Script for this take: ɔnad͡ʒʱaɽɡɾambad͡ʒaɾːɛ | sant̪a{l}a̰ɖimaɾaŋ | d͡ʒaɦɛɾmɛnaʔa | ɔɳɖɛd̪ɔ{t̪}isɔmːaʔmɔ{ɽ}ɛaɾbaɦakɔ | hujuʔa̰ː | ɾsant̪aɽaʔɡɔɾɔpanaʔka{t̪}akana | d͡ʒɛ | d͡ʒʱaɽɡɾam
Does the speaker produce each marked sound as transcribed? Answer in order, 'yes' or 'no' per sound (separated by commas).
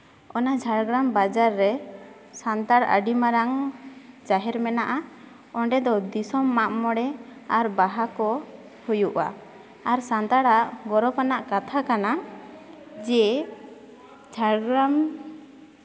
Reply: no, no, yes, no